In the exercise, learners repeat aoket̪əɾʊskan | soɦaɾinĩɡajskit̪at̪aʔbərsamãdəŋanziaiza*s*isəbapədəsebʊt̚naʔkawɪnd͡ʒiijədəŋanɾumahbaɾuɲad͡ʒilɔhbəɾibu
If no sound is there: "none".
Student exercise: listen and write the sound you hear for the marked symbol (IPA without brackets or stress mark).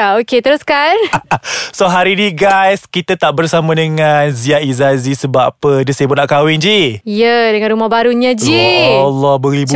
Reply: z